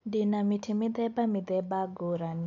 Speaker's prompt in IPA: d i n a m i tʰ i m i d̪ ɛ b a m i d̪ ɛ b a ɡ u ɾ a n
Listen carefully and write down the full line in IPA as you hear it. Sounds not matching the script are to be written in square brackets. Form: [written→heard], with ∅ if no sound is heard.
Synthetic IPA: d i n a m i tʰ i m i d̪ ɛ b a m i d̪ ɛ b a ɡ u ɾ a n